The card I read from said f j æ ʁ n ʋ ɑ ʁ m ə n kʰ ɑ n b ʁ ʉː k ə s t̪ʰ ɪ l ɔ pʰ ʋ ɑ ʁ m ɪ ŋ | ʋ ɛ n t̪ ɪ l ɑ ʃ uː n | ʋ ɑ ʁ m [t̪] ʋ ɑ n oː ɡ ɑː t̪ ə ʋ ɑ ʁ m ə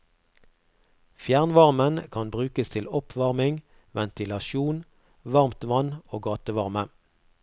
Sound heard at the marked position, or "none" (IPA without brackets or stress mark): t̪